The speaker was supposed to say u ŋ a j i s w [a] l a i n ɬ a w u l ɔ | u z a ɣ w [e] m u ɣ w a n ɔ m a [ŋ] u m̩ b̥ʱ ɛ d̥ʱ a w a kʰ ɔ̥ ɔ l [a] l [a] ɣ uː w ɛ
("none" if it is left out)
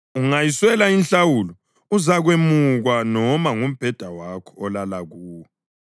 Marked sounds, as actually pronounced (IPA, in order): ɛ, e, ŋ, a, a

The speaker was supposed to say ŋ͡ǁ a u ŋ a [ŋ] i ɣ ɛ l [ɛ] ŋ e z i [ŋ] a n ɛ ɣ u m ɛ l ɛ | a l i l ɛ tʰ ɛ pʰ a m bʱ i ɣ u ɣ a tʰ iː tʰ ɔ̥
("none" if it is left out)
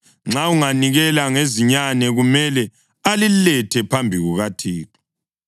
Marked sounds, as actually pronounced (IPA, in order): n, a, ɲ

